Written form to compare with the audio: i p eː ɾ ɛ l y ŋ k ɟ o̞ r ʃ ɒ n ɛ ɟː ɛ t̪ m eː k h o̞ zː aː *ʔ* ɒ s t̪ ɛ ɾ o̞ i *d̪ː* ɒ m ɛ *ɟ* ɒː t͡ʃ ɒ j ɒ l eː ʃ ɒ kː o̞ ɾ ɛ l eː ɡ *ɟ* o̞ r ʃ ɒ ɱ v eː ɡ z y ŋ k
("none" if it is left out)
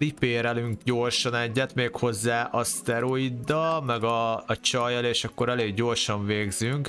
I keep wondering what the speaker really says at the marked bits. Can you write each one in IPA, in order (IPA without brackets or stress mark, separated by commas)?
ʔ, d̪ː, ɡ, ɟ